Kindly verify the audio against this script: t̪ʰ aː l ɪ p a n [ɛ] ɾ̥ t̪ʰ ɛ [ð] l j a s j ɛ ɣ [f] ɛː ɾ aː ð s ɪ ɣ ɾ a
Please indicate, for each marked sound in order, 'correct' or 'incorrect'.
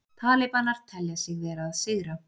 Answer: incorrect, incorrect, incorrect

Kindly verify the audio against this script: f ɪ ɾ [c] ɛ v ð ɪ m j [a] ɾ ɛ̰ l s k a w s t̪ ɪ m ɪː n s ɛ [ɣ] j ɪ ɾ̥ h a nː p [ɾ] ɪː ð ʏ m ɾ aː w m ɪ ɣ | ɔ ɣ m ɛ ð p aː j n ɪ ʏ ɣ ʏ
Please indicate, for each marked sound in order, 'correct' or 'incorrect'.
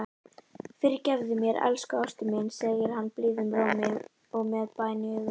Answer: correct, incorrect, correct, incorrect

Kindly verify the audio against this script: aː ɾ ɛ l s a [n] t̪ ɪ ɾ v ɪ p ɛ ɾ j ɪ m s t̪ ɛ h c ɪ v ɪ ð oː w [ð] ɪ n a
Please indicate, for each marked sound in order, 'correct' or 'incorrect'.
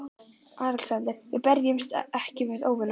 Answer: correct, incorrect

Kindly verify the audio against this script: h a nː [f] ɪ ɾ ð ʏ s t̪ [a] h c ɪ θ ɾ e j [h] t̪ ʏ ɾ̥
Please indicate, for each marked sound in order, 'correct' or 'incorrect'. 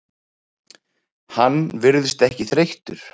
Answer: incorrect, incorrect, correct

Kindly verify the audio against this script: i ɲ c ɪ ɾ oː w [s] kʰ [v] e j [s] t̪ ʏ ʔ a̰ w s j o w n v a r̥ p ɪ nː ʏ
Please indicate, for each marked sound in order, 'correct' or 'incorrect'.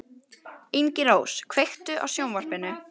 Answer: correct, correct, incorrect

